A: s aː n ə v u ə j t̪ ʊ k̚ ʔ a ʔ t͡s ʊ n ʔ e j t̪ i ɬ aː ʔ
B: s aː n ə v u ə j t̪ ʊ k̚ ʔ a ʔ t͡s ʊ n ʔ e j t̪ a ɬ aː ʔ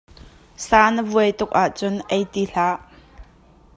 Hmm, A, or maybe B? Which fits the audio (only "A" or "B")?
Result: A